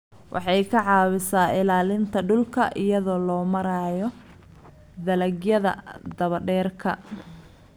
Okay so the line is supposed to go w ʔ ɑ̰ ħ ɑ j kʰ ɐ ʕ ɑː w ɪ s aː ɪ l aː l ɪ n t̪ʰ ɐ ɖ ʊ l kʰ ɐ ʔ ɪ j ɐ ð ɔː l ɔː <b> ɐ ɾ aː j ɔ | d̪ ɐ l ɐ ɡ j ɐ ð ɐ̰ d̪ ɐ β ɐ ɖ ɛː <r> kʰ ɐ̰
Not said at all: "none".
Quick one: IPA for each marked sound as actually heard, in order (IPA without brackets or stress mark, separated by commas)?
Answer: m, r